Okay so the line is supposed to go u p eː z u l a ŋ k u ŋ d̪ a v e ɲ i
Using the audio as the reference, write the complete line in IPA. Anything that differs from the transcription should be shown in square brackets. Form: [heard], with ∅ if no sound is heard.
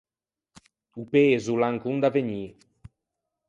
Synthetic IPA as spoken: u p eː z u l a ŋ k u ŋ d̪ a v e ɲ i